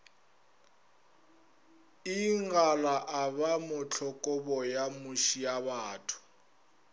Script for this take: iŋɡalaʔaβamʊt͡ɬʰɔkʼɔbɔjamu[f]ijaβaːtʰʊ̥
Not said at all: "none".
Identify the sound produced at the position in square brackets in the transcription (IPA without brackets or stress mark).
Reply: ʃ